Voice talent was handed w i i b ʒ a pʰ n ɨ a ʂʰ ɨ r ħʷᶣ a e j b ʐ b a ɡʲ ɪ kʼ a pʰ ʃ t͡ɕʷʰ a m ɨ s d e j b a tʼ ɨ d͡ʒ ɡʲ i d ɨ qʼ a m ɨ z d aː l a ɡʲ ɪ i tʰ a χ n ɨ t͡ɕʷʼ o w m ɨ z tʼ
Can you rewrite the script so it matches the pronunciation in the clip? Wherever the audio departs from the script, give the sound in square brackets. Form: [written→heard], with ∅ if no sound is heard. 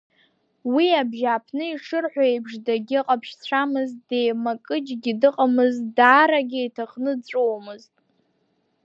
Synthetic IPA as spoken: w i [i→a] b ʒ a pʰ n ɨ [a→i] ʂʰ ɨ r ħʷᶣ a e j b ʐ [b→d] a ɡʲ ɪ [kʼ→qʼ] a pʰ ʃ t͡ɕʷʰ a m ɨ [s→z] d e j [b→m] a [tʼ→kʼ] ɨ d͡ʒ ɡʲ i d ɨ qʼ a m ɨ z d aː [l→ɾ] a ɡʲ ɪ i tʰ a χ n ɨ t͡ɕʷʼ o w m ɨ z tʼ

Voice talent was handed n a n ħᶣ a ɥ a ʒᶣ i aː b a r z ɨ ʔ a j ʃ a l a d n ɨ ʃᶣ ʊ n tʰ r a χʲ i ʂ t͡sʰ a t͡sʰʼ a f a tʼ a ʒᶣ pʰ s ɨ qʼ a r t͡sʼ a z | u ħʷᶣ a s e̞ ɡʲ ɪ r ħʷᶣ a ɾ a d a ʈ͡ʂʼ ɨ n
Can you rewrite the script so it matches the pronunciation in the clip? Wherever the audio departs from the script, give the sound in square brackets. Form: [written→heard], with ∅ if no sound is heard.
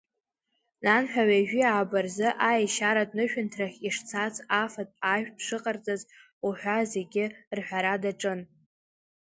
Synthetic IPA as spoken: n a n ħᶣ a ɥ a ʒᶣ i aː b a r z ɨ ʔ a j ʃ a [l→ɾ] a d n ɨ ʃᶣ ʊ n tʰ r a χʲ i ʂ t͡sʰ a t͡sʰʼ a f a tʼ a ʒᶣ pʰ [s→ʂ] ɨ qʼ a r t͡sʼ a z | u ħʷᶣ a [s→z] e̞ ɡʲ ɪ r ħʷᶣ a ɾ a d a ʈ͡ʂʼ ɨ n

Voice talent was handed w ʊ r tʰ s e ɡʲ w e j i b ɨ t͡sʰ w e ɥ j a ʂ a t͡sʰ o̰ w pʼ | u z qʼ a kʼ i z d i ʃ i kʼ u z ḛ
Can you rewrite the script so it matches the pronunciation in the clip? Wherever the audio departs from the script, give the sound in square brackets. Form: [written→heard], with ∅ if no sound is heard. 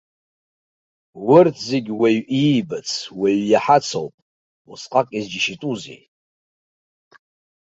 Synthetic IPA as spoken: w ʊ r tʰ [s→z] e ɡʲ w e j i b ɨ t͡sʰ w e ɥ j a [ʂ→ħ] a t͡sʰ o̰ w pʼ | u [z→s] qʼ a kʼ i z [d→d͡ʒ] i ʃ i [kʼ→tʼ] u z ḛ

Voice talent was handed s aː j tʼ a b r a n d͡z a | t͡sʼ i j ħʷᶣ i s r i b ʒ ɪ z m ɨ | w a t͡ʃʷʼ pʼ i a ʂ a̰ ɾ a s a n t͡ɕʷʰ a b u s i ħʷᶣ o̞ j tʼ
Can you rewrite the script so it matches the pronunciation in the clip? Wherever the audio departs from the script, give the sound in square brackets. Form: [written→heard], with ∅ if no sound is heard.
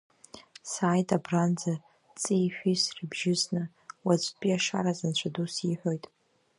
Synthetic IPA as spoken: s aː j tʼ a b r a n d͡z a | t͡sʼ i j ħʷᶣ i s r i b ʒ ɪ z [m→n] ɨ | w a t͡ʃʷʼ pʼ i a ʂ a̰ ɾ a [s→z] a n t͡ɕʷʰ a [b→d] u s i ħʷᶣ o̞ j tʼ

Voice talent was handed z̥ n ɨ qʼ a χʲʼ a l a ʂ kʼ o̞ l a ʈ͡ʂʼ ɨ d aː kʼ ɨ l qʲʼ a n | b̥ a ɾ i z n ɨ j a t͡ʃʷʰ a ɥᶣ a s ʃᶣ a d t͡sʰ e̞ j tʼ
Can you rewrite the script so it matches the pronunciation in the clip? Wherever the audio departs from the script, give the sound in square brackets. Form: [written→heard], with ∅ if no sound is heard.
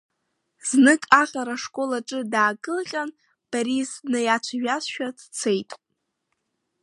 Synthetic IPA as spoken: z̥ n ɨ [qʼ→kʼ] a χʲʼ a [l→ɾ] a ʂ kʼ o̞ l a ʈ͡ʂʼ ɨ d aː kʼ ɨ l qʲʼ a n | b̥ a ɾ i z n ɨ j a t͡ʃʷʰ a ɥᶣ a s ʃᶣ a d t͡sʰ e̞ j tʼ

